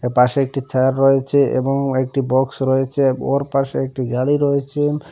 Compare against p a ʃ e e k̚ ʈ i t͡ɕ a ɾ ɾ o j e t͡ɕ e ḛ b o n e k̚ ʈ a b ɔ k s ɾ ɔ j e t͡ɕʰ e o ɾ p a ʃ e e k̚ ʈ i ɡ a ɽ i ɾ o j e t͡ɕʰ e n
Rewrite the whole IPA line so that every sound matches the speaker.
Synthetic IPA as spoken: p a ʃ e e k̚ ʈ i t͡ɕ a ɾ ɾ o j e t͡ɕʰ e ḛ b o ŋ e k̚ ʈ i b ɔ k s ɾ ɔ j e t͡ɕʰ e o ɾ p a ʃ e e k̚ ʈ i ɡ a ɽ i ɾ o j e t͡ɕʰ e n

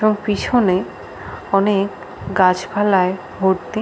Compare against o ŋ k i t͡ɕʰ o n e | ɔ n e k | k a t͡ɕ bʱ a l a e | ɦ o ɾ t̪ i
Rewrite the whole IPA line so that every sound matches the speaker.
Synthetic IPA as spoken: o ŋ p i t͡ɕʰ o n e | ɔ n e k | ɡ a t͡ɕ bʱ a l a e | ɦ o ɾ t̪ i

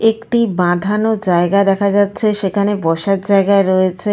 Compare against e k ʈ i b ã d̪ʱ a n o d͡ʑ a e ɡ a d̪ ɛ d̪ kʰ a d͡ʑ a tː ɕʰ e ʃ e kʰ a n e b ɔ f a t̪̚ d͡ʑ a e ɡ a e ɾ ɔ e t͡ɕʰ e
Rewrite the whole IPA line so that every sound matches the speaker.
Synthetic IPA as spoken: e k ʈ i b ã d̪ʱ a n o d͡ʑ a e ɡ a d̪ ɛ kʰ a d͡ʑ a tː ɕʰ e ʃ e kʰ a n e b ɔ ʃ a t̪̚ d͡ʑ a e ɡ a e ɾ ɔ e t͡ɕʰ e

